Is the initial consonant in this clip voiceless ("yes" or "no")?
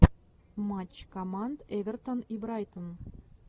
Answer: no